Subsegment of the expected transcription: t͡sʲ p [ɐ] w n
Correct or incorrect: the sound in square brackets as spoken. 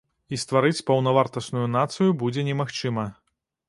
correct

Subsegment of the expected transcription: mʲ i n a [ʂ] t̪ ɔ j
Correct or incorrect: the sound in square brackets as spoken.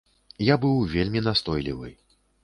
incorrect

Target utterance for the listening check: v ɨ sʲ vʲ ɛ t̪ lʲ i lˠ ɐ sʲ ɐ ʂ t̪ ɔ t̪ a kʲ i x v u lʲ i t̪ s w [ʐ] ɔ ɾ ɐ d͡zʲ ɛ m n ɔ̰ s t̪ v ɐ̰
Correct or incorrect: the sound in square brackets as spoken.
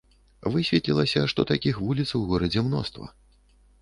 incorrect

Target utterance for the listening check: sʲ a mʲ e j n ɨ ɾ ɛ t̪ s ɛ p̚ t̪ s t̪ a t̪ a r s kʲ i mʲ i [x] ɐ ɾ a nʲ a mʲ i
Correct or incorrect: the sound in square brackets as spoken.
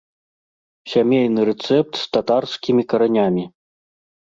incorrect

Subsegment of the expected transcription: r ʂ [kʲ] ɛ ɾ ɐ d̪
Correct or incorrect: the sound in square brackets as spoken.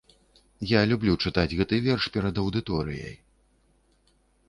incorrect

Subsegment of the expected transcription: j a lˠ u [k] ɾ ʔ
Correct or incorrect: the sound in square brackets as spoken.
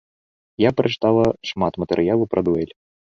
incorrect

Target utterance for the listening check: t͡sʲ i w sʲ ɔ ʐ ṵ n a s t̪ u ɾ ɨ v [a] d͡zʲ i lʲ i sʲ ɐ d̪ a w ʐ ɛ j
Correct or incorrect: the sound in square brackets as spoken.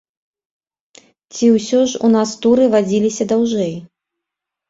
correct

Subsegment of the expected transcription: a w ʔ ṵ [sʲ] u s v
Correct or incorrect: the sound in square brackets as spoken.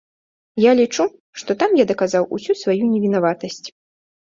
correct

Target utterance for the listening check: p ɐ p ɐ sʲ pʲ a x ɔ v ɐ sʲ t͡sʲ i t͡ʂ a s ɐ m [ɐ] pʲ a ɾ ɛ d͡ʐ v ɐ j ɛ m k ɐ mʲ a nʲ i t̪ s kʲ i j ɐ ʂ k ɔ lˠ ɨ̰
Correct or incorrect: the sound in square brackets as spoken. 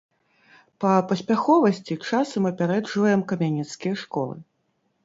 correct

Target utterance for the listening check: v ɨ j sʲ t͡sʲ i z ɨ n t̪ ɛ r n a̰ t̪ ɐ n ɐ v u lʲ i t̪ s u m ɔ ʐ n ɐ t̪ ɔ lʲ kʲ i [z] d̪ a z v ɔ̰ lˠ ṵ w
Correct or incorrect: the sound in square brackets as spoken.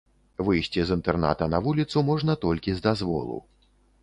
correct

